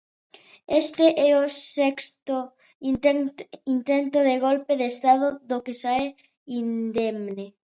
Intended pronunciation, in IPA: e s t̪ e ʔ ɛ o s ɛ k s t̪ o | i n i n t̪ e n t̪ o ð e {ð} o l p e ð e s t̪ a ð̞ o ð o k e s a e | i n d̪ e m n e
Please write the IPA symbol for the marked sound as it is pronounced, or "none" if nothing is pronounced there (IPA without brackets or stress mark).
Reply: ɣ